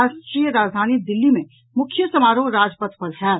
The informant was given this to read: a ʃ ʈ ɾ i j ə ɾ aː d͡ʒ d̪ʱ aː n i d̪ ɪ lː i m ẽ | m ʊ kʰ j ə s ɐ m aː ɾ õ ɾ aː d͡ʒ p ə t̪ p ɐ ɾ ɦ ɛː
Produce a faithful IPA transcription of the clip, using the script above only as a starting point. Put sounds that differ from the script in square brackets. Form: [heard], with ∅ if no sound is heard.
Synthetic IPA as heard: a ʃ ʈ ɾ i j ə ɾ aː d͡ʒ d̪ʱ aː n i d̪ ɪ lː i m ẽ | m ʊ kʰ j ə s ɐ m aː ɾ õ ɾ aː d͡ʒ p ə t̪ p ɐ ɾ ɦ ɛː

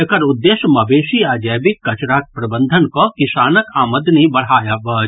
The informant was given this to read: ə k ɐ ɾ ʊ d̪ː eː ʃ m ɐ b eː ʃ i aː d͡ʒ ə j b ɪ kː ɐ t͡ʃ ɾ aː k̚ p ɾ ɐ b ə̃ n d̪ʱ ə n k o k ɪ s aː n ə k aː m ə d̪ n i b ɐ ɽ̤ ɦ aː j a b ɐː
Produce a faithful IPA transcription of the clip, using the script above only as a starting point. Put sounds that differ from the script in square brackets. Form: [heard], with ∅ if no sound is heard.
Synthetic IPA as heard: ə k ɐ ɾ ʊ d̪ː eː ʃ m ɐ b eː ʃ i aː d͡ʒ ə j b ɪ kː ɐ t͡ʃ ɾ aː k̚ p ɾ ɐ b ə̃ n d̪ʱ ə n k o k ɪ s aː n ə k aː m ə d̪ n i b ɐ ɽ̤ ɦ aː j a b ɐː

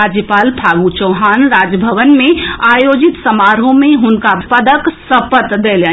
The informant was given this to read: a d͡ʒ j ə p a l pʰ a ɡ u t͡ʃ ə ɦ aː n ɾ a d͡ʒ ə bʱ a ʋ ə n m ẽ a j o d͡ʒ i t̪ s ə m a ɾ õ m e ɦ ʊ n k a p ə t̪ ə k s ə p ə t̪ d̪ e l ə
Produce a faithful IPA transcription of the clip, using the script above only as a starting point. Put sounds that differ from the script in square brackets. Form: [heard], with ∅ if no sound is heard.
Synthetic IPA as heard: a d͡ʒ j ə p a l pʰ a ɡ u t͡ʃ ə ɦ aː n ɾ a d͡ʒ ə bʱ [ə] ʋ ə n m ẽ a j o d͡ʒ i t̪ s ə m a ɾ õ m e ɦ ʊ n k a p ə [d̪] ə k s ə p ə t̪ d̪ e l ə

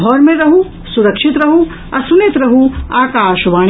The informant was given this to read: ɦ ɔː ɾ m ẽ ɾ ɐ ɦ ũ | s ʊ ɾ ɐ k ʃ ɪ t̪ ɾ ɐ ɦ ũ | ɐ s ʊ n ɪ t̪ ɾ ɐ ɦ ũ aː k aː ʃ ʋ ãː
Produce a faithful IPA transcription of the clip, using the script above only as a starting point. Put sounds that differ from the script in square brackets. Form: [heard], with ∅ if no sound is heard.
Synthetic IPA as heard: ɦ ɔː ɾ m ẽ ɾ ɐ ɦ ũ | s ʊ ɾ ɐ k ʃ ɪ t̪ ɾ ɐ ɦ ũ | ɐ s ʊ n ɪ t̪ ɾ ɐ ɦ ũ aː k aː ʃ ʋ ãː

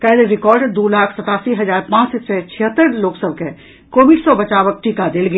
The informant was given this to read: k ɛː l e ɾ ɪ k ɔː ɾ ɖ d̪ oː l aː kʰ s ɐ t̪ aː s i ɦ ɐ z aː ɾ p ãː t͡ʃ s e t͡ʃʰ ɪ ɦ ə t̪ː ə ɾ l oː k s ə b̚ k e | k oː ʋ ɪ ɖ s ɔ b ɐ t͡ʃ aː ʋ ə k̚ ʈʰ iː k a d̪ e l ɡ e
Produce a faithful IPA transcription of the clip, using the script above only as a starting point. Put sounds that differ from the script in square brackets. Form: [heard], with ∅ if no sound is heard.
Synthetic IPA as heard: k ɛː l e ɾ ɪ k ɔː ɾ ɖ d̪ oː l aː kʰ s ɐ t̪ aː s i ɦ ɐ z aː ɾ p ãː t͡ʃ s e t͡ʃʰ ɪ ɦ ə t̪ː ə ɾ l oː k s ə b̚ k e | k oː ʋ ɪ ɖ s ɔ b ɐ t͡ʃ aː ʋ ə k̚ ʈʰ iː k a d̪ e l ɡ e

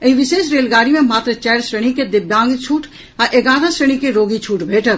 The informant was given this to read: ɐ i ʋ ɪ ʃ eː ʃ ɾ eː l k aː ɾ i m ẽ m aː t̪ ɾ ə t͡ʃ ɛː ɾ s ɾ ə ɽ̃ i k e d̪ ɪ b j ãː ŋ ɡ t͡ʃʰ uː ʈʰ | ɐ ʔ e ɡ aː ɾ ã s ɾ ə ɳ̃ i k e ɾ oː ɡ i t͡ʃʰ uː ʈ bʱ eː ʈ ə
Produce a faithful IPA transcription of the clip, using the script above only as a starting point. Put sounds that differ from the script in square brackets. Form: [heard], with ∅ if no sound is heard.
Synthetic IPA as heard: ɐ i ʋ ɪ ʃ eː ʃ ɾ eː l [ɡ] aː ɾ i m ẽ m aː t̪ ɾ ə t͡ʃ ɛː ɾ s ɾ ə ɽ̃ i k e d̪ ɪ b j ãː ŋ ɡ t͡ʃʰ uː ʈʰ | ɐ ʔ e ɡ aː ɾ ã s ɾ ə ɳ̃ i k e ɾ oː ɡ i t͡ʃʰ uː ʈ bʱ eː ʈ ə

